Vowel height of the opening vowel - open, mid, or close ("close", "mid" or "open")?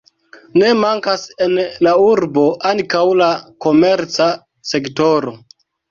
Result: mid